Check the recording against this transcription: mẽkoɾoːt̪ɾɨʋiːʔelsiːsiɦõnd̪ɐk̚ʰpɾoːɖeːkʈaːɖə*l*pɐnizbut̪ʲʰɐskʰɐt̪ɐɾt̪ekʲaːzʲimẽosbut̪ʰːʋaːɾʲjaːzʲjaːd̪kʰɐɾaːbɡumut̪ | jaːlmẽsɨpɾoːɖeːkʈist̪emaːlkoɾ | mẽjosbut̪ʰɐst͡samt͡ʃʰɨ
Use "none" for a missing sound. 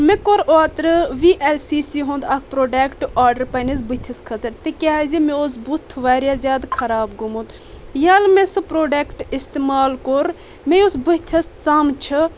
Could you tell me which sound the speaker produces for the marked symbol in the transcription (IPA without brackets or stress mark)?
ɾ